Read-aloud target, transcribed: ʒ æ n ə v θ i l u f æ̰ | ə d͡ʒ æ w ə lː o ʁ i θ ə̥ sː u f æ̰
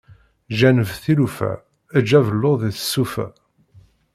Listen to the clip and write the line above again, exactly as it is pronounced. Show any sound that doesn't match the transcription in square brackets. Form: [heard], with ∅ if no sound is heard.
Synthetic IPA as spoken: ʒ æ n ə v θ i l u f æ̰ | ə d͡ʒ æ [v] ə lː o [ð] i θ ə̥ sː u f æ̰